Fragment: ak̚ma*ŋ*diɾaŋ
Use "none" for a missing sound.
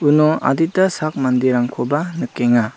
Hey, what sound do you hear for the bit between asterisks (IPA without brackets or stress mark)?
n